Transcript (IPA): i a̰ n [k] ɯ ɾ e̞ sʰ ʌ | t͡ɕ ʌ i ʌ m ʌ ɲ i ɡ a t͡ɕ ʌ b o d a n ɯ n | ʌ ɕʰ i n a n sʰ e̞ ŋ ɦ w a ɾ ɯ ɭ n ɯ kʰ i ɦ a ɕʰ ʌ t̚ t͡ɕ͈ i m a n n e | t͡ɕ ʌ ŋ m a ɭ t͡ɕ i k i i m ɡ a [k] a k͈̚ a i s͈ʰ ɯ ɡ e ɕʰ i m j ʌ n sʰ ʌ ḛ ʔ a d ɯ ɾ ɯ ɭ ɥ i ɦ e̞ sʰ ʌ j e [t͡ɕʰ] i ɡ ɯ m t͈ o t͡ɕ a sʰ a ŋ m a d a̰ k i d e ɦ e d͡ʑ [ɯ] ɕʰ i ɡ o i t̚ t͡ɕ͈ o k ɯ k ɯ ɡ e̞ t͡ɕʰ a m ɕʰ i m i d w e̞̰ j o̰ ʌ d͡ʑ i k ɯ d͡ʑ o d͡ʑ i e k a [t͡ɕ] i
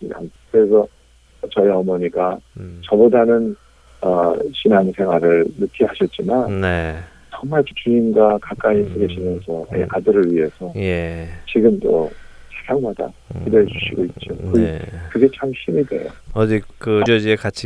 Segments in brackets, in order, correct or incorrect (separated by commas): correct, correct, incorrect, incorrect, incorrect